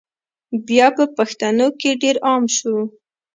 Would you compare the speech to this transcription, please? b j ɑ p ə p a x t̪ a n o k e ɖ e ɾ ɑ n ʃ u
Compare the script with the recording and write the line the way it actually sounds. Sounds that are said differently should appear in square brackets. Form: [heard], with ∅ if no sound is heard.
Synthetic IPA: b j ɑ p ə p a x t̪ a n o k e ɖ e ɾ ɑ [m] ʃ u